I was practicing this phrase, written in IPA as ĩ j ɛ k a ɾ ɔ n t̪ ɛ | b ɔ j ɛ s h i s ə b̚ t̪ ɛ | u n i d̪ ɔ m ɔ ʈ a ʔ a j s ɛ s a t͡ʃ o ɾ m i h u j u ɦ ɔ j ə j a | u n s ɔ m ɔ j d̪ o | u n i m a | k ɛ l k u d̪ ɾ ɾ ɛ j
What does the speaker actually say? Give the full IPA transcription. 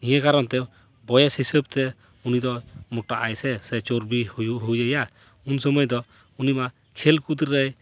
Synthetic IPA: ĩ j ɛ k a ɾ ɔ n t̪ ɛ | b ɔ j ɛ s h i s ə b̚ t̪ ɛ | u n i d̪ ɔ m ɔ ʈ a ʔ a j s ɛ s ɛ t͡ʃ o ɾ b i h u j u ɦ u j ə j a | u n s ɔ m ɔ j d̪ ɔ | u n i m a | kʰ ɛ l k u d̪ ɾ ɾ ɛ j